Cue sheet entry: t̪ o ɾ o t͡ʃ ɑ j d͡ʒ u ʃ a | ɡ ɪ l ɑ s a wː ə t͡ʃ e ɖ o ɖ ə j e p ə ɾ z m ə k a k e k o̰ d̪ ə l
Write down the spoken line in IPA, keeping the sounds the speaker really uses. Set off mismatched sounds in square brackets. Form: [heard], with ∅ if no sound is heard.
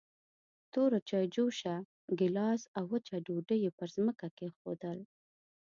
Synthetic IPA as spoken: t̪ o ɾ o t͡ʃ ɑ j d͡ʒ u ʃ a | ɡ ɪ l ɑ s a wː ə t͡ʃ [a] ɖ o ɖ ə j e p ə ɾ z m ə k a k e [x] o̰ d̪ ə l